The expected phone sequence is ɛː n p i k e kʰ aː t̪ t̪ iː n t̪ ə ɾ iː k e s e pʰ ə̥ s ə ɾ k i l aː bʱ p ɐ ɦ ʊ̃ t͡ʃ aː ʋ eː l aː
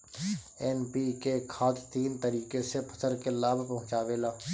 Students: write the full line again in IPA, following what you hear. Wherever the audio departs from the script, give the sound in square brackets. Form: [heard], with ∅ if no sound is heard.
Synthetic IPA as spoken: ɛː n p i k e kʰ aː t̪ t̪ iː n t̪ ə ɾ iː k e s e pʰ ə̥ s ə ɾ k [e] l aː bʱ p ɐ ɦ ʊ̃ t͡ʃ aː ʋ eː l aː